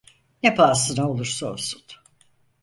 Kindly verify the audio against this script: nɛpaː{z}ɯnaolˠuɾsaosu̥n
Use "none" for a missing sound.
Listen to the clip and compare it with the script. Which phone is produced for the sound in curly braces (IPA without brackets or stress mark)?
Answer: s